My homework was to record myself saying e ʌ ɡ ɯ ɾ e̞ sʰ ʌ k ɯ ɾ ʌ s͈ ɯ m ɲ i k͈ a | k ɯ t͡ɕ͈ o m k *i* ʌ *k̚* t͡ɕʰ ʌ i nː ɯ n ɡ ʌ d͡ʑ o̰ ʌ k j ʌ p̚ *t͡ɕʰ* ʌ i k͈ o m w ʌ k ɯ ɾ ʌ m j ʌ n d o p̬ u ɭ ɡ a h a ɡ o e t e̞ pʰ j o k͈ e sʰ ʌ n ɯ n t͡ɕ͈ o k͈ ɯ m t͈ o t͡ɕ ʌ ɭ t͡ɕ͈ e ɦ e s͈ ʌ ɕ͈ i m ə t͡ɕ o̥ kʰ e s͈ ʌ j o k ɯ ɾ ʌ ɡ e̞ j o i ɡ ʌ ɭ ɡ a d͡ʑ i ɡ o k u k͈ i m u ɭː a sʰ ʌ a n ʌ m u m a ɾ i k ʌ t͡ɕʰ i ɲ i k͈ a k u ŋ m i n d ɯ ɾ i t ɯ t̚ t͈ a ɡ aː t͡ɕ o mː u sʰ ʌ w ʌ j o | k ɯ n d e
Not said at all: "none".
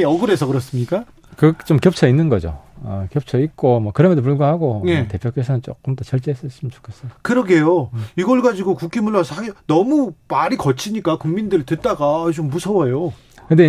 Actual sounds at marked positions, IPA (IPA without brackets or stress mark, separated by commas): j, p̚, t͡ɕʰ